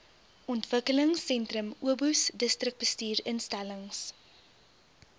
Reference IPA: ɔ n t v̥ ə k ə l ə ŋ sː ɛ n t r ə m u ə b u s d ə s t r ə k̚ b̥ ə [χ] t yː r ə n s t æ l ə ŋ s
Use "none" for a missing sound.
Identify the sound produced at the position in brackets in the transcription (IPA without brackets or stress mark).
s